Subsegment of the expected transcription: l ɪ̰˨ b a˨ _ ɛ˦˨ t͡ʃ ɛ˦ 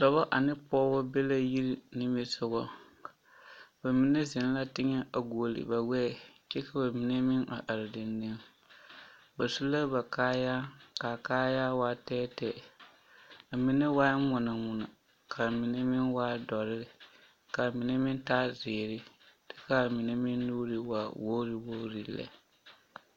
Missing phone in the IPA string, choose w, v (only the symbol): w